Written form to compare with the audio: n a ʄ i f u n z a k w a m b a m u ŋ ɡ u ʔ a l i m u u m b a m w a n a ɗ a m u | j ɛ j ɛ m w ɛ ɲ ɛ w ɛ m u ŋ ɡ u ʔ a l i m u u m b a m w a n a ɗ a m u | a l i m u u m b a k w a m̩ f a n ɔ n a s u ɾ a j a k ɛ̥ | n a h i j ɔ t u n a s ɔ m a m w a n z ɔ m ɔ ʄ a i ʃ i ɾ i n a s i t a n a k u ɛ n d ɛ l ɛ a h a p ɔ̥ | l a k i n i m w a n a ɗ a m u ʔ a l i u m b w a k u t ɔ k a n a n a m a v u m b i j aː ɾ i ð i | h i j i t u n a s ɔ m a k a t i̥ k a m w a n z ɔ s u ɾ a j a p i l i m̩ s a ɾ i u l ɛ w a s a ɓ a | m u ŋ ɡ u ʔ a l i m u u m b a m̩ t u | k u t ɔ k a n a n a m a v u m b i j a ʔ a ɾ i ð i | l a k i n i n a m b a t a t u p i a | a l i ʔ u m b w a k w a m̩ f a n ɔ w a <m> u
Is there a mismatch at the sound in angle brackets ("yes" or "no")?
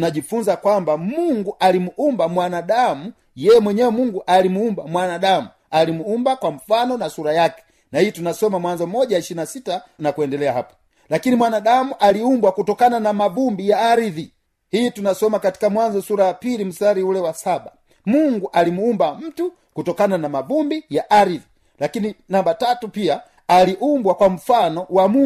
no